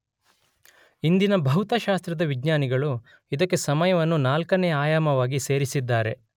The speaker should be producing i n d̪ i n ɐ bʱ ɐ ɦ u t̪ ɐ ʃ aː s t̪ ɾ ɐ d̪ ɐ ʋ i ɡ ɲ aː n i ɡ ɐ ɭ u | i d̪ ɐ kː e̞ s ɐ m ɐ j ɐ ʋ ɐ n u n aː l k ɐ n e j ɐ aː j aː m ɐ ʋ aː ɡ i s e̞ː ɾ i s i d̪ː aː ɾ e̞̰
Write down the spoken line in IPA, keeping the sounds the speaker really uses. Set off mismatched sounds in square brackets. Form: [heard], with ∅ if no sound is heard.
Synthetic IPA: i n d̪ i n ɐ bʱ ɐ ɦ u t̪ ɐ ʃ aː s t̪ ɾ ɐ d̪ ɐ ʋ i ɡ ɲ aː n i ɡ ɐ ɭ u | i d̪ ɐ kː e̞ s ɐ m ɐ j ɐ ʋ ɐ [nː] u n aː l k ɐ n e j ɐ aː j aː m ɐ ʋ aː ɡ i s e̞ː ɾ i s i d̪ː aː ɾ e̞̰